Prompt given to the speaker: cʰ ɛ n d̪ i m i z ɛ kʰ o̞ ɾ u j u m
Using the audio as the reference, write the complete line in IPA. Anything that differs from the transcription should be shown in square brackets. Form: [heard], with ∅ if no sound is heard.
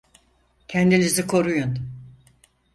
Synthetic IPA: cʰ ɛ n d̪ i [n] i z [i] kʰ o̞ ɾ u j u [n]

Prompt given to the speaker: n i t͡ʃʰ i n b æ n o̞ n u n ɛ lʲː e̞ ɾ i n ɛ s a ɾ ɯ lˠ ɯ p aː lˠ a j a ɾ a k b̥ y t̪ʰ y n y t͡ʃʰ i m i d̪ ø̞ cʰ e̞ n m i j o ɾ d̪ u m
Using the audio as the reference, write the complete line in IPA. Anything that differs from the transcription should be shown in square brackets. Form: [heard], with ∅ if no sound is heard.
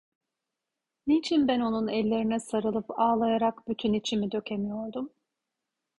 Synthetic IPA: n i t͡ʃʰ i n b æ n o̞ n u n ɛ lʲː e̞ ɾ i n ɛ s a ɾ ɯ lˠ ɯ p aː lˠ a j a ɾ a k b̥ y t̪ʰ y n [i] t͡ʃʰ i m i d̪ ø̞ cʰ e̞ [∅] m i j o ɾ d̪ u m

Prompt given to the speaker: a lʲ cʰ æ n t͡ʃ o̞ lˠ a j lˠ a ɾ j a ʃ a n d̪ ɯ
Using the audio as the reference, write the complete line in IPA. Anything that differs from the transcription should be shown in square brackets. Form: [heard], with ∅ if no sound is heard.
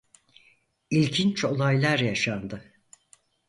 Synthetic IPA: [i] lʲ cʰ [i] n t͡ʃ o̞ lˠ a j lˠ a ɾ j a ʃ a n d̪ ɯ

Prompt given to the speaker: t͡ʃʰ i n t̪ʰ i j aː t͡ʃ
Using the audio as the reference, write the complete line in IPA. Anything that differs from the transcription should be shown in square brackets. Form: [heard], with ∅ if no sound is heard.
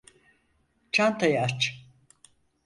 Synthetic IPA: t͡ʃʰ [a] n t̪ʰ [a] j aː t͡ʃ

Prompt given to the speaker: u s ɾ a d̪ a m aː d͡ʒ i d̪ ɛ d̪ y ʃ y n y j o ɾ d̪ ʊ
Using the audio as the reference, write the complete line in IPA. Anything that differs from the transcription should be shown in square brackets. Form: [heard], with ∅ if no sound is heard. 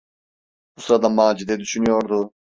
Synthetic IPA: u s ɾ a d̪ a m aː d͡ʒ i d̪ ɛ d̪ y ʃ y n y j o ɾ d̪ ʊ

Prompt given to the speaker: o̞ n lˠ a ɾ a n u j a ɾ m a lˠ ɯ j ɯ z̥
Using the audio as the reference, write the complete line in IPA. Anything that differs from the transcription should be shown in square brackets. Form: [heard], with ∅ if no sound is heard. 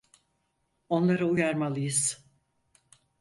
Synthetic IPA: o̞ n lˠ a ɾ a [∅] u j a ɾ m a lˠ ɯ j ɯ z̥

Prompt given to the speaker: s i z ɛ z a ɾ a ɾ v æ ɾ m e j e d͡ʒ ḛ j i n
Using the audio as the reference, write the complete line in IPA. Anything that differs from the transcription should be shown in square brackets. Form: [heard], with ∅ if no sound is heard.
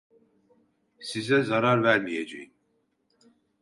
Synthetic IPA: s i z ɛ z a ɾ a ɾ v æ ɾ m [i] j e d͡ʒ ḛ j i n

